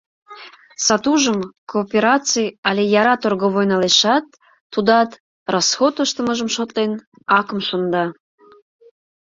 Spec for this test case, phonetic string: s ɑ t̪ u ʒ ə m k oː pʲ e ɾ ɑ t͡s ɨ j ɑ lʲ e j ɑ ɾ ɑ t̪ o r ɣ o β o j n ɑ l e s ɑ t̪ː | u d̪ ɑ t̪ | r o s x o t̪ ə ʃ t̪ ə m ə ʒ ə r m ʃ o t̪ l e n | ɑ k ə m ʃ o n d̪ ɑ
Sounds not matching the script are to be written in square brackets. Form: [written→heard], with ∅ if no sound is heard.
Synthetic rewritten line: s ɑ t̪ u ʒ ə m k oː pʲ e ɾ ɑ t͡s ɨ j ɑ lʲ e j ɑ ɾ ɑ t̪ o r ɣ o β o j n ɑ l e [s→ʃ] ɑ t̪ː | u d̪ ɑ t̪ | r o s x o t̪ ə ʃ t̪ ə m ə ʒ ə [r→∅] m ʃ o t̪ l e n | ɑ k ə m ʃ o n d̪ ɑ